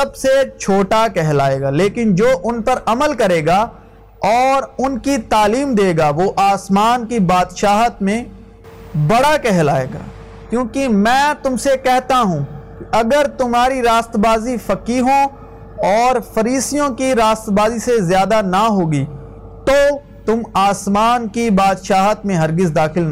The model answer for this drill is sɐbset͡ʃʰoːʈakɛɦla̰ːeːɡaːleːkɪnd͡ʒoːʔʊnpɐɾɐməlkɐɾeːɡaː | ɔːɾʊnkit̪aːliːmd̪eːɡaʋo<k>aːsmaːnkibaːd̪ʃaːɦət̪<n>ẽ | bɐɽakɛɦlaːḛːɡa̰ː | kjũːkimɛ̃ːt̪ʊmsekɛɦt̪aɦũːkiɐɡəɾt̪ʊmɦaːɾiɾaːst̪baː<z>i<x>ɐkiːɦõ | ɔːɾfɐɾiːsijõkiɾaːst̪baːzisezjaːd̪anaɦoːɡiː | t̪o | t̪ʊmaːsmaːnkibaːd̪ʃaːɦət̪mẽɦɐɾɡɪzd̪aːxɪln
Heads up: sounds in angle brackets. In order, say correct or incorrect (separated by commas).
incorrect, incorrect, correct, incorrect